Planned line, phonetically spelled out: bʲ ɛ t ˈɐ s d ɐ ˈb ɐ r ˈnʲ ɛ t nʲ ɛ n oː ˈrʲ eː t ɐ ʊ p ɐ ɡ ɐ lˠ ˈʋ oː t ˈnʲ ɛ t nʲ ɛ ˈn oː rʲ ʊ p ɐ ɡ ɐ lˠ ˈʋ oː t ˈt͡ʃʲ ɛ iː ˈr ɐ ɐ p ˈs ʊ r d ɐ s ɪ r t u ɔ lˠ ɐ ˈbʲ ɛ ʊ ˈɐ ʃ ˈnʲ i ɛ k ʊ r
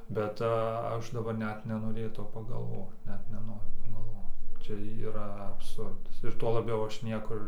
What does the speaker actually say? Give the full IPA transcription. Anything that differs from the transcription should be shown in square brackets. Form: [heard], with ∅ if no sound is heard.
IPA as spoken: bʲ ɛ t ˈɐ [ʃ] d ɐ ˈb ɐ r ˈnʲ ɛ t nʲ ɛ n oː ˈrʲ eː t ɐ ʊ p ɐ ɡ ɐ lˠ ˈʋ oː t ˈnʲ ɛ t nʲ ɛ ˈn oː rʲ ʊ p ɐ ɡ ɐ lˠ ˈʋ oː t ˈt͡ʃʲ ɛ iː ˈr ɐ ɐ p ˈs ʊ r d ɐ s ɪ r t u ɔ lˠ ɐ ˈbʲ ɛ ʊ ˈɐ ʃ ˈnʲ i ɛ k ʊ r